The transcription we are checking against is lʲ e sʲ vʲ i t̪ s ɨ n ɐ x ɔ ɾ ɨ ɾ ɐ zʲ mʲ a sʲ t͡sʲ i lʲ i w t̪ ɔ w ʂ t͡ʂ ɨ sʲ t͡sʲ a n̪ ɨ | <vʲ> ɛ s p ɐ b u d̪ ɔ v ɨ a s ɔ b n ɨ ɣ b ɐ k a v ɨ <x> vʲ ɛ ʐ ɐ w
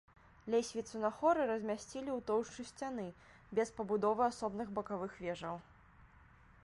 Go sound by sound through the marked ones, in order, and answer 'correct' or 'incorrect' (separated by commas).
incorrect, correct